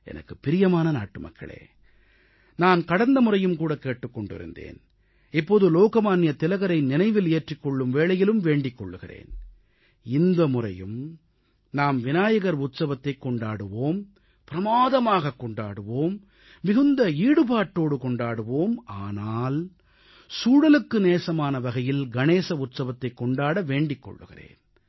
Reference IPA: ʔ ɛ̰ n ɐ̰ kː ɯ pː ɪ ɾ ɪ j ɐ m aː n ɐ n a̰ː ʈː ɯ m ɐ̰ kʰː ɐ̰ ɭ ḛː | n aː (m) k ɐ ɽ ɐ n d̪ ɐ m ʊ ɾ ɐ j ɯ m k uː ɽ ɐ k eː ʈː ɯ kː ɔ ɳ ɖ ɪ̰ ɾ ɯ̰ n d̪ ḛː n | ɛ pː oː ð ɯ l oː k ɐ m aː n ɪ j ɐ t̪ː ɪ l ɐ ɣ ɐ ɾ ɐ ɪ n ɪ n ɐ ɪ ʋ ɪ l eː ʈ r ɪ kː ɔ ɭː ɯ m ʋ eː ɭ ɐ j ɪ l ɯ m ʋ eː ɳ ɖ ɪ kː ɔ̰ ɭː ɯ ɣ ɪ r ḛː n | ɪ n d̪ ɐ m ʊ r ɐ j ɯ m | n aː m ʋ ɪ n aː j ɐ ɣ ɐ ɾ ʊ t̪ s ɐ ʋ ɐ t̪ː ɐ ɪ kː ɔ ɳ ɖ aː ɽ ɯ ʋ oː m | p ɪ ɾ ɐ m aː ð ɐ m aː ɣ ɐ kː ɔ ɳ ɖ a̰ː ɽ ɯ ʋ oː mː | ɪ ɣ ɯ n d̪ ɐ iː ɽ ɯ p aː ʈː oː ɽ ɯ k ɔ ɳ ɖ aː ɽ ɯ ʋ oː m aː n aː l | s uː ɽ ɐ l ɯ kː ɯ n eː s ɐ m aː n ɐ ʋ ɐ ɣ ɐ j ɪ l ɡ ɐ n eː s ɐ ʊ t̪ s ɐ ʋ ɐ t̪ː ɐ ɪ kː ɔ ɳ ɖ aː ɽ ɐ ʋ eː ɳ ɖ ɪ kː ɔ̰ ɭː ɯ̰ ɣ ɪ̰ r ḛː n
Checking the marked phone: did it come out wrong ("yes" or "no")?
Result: yes